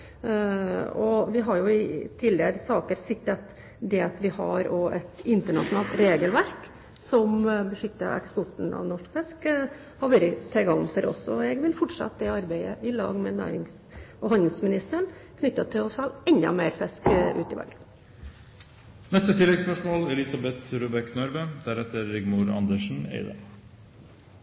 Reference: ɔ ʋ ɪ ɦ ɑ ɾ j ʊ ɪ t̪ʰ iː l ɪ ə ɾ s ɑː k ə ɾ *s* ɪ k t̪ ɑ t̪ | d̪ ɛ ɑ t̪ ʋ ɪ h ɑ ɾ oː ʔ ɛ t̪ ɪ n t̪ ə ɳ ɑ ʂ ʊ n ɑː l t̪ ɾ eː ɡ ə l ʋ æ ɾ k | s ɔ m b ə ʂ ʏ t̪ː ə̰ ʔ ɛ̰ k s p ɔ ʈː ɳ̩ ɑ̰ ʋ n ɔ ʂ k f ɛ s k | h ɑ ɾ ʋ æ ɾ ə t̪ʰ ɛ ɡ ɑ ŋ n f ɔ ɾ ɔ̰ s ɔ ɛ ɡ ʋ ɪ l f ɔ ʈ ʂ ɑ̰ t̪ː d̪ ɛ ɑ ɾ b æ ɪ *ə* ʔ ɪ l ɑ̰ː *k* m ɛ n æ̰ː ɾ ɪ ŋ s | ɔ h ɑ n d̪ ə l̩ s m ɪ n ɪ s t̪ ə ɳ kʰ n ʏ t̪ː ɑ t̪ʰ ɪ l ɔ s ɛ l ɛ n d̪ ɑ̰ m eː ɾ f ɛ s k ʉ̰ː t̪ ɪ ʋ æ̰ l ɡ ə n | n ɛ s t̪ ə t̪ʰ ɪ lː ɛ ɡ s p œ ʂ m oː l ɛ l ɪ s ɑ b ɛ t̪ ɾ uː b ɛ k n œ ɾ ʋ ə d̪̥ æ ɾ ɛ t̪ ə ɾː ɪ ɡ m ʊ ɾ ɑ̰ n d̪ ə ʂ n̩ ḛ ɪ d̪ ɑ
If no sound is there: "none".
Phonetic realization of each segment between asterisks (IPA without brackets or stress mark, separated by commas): s, ə, ɡ